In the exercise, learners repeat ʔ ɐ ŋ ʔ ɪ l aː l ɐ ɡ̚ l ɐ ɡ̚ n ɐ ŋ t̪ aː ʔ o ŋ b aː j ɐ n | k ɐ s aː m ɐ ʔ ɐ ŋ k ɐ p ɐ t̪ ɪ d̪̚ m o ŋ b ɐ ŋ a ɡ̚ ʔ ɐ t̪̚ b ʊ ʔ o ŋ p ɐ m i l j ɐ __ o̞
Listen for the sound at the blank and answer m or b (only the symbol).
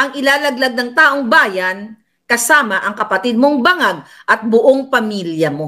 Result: m